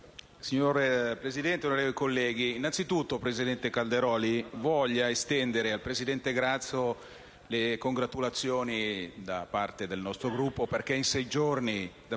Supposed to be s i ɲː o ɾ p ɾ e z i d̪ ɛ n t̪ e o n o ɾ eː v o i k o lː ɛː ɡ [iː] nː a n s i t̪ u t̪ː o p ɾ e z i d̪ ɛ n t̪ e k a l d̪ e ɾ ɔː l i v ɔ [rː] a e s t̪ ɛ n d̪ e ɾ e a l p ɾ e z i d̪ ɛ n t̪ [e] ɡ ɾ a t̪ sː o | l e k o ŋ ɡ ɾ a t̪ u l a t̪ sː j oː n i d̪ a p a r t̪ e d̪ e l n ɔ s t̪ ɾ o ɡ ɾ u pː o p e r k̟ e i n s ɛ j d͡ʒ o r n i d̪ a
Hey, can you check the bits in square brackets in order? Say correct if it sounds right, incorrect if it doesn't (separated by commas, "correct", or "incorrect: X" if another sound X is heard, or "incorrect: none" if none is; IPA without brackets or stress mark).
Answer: correct, incorrect: ʎː, correct